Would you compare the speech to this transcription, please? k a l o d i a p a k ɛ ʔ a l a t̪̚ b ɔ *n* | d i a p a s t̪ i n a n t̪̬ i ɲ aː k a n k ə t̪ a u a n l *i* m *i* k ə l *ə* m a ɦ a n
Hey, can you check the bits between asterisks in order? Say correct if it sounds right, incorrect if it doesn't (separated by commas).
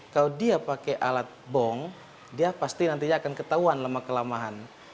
incorrect, incorrect, incorrect, incorrect